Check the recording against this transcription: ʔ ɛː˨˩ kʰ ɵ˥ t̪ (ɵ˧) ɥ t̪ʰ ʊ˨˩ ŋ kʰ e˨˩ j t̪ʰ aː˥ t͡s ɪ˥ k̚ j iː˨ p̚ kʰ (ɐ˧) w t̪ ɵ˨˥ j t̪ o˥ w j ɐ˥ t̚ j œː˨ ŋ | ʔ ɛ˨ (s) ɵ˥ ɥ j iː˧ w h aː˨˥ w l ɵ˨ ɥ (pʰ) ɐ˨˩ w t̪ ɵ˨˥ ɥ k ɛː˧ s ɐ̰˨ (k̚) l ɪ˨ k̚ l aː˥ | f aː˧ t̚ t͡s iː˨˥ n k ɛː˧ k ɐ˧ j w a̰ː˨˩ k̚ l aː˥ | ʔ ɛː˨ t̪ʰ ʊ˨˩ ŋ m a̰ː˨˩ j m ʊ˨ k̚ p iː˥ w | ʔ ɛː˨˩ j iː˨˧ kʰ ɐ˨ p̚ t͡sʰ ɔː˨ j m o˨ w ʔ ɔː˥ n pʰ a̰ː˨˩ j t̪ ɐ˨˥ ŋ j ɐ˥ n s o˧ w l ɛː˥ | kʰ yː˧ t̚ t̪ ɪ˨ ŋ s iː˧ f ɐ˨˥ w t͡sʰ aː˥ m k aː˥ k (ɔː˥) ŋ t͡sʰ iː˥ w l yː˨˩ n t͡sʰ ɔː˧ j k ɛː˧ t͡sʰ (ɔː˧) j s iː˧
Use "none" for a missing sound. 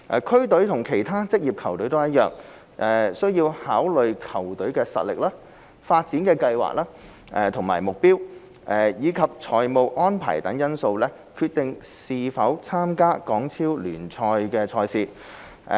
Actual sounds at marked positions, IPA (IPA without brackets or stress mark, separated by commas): ɵ˨˥, ɐ˨˩, s, kʰ, t̚, ɔː˨˥, ɔː˧